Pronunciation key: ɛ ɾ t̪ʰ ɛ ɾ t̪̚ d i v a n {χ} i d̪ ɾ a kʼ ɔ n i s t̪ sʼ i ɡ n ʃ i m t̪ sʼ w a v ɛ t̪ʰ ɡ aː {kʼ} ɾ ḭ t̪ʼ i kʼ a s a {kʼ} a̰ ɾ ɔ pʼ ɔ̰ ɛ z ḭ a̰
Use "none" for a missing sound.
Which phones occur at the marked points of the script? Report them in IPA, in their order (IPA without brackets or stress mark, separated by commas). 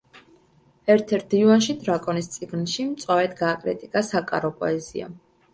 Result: ʃ, kʼ, kʼ